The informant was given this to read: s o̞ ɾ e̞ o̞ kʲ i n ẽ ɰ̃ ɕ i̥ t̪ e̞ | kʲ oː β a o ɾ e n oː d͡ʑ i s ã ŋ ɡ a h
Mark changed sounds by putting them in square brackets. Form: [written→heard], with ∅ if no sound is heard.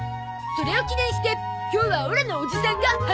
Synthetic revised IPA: s o̞ ɾ e̞ o̞ kʲ i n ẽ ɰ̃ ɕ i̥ t̪ e̞ | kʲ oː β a o ɾ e n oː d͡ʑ i s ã ŋ ɡ a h

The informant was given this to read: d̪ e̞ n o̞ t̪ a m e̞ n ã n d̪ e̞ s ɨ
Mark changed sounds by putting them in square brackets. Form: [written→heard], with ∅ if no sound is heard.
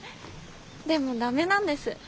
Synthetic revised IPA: d̪ e̞ [n→m] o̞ [t̪→d̪] a m e̞ n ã n d̪ e̞ s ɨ

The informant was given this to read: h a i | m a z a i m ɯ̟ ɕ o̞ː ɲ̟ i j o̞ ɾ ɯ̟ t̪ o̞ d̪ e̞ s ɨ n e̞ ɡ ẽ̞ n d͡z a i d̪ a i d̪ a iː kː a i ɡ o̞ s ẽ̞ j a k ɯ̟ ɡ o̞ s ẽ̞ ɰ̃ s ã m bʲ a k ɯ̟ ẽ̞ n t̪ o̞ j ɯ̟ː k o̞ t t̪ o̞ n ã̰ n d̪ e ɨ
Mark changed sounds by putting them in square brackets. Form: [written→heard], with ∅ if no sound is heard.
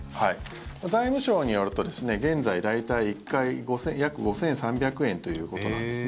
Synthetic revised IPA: h a i | m a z a i m ɯ̟ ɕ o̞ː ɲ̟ i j o̞ ɾ ɯ̟ t̪ o̞ d̪ e̞ s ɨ n e̞ ɡ ẽ̞ n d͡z a i d̪ a i [d̪→t̪] a iː kː a i ɡ o̞ s ẽ̞ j a k ɯ̟ ɡ o̞ s ẽ̞ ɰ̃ s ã m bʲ a k ɯ̟ ẽ̞ n t̪ o̞ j ɯ̟ː k o̞ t t̪ o̞ n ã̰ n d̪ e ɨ

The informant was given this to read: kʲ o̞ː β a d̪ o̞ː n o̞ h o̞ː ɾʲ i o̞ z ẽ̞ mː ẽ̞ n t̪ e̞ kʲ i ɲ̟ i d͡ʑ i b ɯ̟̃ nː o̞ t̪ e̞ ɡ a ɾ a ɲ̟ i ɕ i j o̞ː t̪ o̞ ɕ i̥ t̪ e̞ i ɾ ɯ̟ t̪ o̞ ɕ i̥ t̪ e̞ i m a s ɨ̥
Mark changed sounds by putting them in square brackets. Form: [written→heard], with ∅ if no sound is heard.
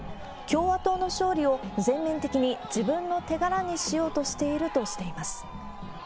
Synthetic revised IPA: kʲ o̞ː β a [d̪→t̪] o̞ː n o̞ [h→ɕ] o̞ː ɾʲ i o̞ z ẽ̞ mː ẽ̞ n t̪ e̞ kʲ i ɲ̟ i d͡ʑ i b ɯ̟̃ nː o̞ t̪ e̞ ɡ a ɾ a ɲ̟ i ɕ i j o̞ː t̪ o̞ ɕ i̥ t̪ e̞ i ɾ ɯ̟ t̪ o̞ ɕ i̥ t̪ e̞ i m a s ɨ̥

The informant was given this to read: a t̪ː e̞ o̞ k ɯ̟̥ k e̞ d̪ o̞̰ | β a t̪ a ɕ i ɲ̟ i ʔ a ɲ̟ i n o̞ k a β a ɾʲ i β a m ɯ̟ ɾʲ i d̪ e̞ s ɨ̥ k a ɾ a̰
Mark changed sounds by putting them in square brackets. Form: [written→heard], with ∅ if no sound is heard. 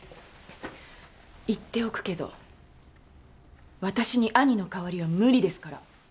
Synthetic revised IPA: [a→i] t̪ː e̞ o̞ k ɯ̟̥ k e̞ d̪ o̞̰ | β a t̪ a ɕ i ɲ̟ i ʔ a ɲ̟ i n o̞ k a β a ɾʲ i β a m ɯ̟ ɾʲ i d̪ e̞ s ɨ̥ k a ɾ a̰

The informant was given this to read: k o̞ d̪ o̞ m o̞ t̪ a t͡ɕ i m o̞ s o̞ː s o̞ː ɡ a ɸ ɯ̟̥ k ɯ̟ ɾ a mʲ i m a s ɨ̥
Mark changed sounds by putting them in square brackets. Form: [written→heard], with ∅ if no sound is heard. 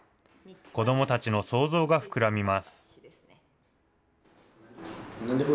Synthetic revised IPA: k o̞ d̪ o̞ m o̞ t̪ a t͡ɕ i [m→n] o̞ s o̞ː [s→z] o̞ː ɡ a ɸ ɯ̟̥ k ɯ̟ ɾ a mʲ i m a s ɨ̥

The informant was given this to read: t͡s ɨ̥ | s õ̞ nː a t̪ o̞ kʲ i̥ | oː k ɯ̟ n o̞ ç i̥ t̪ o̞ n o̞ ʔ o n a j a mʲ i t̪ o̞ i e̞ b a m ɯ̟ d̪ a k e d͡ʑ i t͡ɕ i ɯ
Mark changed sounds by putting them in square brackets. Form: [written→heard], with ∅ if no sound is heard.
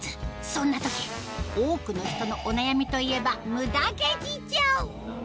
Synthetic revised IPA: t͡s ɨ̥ | s õ̞ nː a t̪ o̞ kʲ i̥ | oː k ɯ̟ n o̞ ç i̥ t̪ o̞ n o̞ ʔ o n a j a mʲ i t̪ o̞ i e̞ b a m ɯ̟ d̪ a k e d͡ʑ i t͡ɕ [i→a] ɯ

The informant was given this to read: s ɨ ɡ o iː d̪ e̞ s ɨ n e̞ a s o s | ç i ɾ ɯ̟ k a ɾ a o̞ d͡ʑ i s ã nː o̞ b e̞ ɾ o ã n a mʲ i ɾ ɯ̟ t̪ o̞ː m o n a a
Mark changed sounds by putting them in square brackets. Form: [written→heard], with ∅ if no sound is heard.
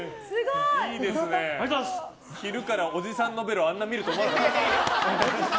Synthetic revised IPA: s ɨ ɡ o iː d̪ e̞ s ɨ n e̞ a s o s | ç i ɾ ɯ̟ k a ɾ a o̞ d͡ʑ i s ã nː o̞ b e̞ ɾ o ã [n→nː] a mʲ i ɾ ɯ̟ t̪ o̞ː m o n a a

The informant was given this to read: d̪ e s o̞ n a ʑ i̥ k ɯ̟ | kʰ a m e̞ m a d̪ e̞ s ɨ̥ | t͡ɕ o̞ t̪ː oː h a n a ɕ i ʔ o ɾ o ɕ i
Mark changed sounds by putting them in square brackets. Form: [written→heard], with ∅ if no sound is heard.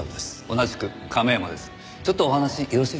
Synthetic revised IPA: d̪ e s o̞ n a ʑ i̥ k ɯ̟ | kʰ a m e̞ m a d̪ e̞ s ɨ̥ | t͡ɕ o̞ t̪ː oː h a n a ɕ i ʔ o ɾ o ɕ i

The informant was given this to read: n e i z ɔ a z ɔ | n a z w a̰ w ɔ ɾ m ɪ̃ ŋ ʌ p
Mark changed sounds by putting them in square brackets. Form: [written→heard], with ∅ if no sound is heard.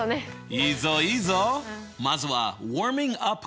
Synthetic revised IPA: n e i z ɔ [a→i] z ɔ | [n→m] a z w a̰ w ɔ [ɾ→ɹ] m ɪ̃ ŋ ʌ p

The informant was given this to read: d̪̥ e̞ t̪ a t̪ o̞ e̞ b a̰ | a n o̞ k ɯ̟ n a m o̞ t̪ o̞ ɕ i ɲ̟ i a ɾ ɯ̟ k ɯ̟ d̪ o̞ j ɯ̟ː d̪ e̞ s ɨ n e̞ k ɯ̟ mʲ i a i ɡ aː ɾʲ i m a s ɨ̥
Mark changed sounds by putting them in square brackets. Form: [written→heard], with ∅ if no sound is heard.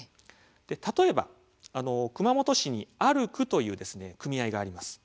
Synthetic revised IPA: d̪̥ e̞ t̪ a t̪ o̞ e̞ b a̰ | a n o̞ k ɯ̟ [n→m] a m o̞ t̪ o̞ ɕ i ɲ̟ i a ɾ ɯ̟ k ɯ̟ [d̪→t̪] o̞ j ɯ̟ː d̪ e̞ s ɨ n e̞ k ɯ̟ mʲ i a i ɡ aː ɾʲ i m a s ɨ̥

